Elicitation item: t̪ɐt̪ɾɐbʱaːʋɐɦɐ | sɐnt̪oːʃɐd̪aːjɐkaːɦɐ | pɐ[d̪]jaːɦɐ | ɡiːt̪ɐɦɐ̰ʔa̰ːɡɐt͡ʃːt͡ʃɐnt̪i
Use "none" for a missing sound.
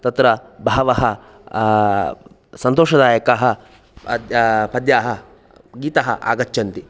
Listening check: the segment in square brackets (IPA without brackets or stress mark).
d̪